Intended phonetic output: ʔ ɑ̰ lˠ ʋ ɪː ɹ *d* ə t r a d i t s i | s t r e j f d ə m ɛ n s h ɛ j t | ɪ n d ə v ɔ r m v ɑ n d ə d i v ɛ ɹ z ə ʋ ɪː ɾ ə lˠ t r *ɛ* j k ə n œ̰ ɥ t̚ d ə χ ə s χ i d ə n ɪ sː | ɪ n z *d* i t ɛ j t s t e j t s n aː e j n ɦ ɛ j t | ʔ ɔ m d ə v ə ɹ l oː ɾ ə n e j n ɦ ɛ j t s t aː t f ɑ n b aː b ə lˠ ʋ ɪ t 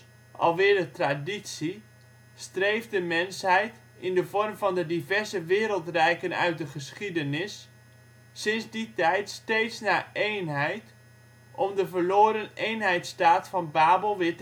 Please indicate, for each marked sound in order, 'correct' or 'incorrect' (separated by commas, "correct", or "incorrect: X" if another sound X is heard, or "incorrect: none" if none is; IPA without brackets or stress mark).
correct, correct, correct